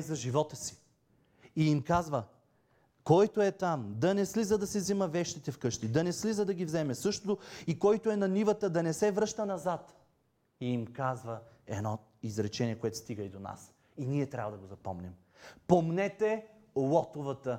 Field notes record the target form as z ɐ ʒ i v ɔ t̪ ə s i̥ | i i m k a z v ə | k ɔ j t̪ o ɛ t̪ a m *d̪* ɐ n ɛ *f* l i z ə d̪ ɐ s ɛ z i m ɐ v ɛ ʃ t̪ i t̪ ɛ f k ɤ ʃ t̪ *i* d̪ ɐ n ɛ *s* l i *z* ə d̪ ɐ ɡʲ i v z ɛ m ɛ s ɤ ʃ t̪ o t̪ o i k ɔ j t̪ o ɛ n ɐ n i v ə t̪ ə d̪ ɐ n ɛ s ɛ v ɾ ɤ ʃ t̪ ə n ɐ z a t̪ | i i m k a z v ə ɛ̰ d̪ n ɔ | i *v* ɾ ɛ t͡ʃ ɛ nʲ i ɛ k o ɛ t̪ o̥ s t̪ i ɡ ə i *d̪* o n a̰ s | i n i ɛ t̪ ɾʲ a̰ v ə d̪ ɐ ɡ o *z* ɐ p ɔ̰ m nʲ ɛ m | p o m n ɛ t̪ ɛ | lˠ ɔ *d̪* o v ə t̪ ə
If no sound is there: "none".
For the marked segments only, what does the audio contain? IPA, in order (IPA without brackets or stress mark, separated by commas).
d̪, s, i, s, z, z, d̪, z, t̪